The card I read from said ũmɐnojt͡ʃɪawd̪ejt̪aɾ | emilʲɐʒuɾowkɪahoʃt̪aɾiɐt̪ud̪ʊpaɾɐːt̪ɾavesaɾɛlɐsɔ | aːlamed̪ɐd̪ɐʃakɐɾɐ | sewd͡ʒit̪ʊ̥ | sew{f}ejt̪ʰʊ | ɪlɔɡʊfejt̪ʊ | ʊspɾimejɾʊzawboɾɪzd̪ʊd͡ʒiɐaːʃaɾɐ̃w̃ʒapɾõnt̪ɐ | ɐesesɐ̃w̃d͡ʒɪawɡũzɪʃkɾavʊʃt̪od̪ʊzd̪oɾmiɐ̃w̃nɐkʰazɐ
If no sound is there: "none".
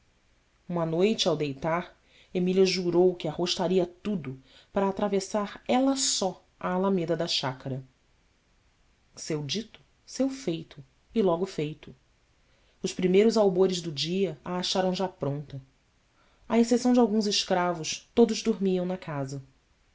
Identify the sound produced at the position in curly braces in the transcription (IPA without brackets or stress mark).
f